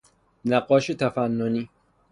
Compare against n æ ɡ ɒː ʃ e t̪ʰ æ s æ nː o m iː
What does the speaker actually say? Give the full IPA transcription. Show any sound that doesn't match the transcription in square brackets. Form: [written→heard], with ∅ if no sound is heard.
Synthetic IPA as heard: n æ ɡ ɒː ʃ e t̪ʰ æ [s→f] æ nː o [m→n] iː